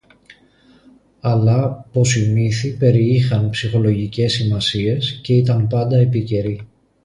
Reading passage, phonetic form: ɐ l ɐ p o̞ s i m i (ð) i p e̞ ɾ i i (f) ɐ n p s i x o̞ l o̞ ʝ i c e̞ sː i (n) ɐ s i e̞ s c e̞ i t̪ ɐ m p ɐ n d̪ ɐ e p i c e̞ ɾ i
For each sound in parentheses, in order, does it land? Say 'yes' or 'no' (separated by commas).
no, no, no